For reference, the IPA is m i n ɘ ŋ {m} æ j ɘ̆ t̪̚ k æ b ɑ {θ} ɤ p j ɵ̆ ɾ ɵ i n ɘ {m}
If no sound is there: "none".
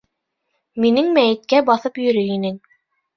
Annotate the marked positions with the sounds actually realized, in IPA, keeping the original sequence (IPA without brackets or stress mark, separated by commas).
m, θ, ŋ